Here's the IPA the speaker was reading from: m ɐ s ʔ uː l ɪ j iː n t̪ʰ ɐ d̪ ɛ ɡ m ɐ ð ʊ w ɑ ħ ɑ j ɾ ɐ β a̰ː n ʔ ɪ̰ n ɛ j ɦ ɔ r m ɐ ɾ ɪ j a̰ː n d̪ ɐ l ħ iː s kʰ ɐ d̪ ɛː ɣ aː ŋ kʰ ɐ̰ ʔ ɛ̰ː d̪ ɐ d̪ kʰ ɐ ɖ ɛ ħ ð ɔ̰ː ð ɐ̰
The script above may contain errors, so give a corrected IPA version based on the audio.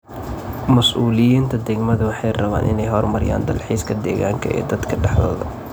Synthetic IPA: m ɐ s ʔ uː l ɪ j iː n t̪ʰ ɐ d̪ ɛ ɡ m ɐ ð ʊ w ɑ ħ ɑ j r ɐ β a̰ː n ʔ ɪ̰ n ɛ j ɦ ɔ r m ɐ ɾ ɪ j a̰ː n d̪ ɐ l ħ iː s kʰ ɐ d̪ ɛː ɣ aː ŋ kʰ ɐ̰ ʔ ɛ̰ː d̪ ɐ d̪ kʰ ɐ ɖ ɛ ħ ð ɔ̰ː ð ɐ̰

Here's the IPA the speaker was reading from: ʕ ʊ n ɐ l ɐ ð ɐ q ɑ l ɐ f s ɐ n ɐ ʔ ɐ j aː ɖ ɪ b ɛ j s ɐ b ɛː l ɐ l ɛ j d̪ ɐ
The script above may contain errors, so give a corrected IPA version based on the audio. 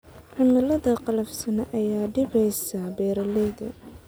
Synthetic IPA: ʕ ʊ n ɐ l ɐ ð ɐ q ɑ l ɐ f s ɐ n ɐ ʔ ɐ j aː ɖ ɪ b ɛ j s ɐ b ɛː ɾ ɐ l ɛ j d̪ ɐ

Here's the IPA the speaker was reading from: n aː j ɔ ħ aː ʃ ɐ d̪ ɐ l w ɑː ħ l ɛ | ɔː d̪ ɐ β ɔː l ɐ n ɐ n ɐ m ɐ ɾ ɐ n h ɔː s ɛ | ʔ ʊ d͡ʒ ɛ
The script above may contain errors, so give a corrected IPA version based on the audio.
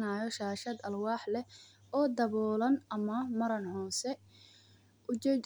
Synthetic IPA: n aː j ɔ ʃ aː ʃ ɐ d̪ ɐ l w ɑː ħ l ɛ | ɔː d̪ ɐ β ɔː l ɐ n ɐ m ɐ m ɐ ɾ ɐ n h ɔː s ɛ | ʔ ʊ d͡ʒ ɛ

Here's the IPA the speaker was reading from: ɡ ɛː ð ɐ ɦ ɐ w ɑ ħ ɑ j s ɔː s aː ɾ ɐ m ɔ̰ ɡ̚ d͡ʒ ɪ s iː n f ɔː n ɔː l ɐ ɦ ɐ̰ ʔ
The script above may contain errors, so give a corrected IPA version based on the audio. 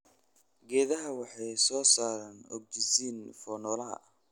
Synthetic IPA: ɡ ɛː ð ɐ ɦ ɐ w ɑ ħ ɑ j s ɔː s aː ɾ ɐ n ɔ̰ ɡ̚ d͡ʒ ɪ s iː n f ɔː n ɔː l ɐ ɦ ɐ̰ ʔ

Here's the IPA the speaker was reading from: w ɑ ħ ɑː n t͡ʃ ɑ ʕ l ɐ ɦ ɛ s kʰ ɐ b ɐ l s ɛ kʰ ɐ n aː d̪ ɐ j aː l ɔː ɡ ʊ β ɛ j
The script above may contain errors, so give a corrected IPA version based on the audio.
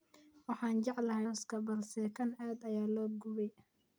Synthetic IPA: w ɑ ħ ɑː n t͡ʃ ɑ ʕ l ɐ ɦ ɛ s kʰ ɐ b ɐ l s ɛ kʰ ɐ n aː d̪ ɐ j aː l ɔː ɡ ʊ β ɛ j

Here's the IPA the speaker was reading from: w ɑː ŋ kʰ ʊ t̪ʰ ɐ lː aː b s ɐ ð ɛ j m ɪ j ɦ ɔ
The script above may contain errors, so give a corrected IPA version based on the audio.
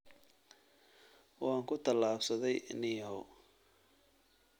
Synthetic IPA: w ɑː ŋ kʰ ʊ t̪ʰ ɐ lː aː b s ɐ ð ɛ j n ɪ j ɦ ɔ

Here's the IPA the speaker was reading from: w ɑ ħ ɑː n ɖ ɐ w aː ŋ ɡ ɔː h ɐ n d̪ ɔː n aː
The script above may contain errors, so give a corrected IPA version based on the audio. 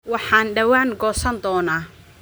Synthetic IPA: w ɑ ħ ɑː n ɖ ɐ w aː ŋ ɡ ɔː s ɐ n d̪ ɔː n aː

